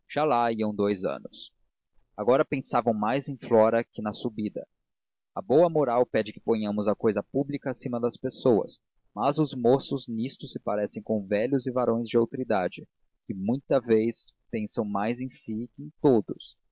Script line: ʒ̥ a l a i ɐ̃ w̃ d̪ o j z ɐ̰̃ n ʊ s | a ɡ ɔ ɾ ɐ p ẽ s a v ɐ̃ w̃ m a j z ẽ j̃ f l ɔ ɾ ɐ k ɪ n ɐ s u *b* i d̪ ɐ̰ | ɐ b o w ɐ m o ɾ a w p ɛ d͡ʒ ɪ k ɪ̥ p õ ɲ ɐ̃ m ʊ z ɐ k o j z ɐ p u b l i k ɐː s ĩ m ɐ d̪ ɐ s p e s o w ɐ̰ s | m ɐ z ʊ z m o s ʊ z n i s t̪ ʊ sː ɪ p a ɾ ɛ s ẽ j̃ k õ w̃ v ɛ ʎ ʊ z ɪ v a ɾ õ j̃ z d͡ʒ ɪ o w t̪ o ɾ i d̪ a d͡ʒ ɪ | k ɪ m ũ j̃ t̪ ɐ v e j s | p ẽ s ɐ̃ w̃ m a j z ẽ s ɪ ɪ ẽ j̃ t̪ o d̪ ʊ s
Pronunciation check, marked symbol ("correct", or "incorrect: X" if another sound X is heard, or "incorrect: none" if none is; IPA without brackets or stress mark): correct